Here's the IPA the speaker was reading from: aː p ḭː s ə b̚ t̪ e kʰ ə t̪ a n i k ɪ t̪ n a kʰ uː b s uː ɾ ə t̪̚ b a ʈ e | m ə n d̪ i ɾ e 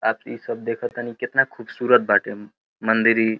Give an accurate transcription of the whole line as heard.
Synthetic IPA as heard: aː p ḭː s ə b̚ d̪ e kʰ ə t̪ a n i k ɪ t̪ n a kʰ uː b s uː ɾ ə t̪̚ b a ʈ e | m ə n d̪ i ɾ i